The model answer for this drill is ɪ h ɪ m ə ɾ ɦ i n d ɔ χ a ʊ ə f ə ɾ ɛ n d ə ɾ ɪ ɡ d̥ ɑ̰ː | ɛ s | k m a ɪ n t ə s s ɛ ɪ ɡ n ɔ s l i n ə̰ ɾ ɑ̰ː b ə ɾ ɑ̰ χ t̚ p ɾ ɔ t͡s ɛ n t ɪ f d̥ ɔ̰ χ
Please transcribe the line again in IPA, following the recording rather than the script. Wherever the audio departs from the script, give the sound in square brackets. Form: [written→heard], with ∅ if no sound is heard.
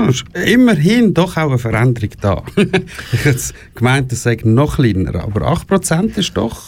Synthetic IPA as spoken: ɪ [h→ʃ] ɪ m ə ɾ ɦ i n d ɔ χ a ʊ ə f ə ɾ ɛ n d ə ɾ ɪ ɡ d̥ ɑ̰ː | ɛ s | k m a ɪ n t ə s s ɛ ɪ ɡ n ɔ [s→χ] l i n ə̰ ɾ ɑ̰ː b ə ɾ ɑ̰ χ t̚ p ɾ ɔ t͡s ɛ n t ɪ [f→ʃ] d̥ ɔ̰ χ